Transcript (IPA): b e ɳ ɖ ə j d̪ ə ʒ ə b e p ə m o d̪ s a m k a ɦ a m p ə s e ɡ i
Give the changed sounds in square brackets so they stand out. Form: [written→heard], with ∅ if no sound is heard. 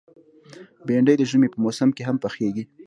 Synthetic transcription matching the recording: b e ɳ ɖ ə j d̪ ə ʒ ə [b→m] e p ə m o [d̪→∅] s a m k [a→e] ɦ a m p ə [s→x] e ɡ i